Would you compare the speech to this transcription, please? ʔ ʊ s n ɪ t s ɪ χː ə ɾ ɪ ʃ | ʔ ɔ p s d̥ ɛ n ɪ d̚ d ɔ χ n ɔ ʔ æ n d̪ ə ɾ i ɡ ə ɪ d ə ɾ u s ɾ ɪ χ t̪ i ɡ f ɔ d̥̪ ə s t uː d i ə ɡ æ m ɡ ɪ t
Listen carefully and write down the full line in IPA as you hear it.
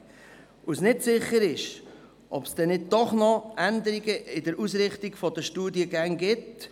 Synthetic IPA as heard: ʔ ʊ s n ɪ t s ɪ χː ə ɾ ɪ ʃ | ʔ ɔ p s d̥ ɛ n ɪ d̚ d ɔ χ n ɔ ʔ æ n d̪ ə ɾ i ɡ ə ɪ d ə ɾ u s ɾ ɪ χ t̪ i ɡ f ɔ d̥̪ ə ʃ t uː d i ə ɡ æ ŋ ɡ ɪ t